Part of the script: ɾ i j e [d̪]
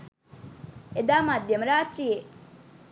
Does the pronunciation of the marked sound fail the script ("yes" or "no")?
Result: yes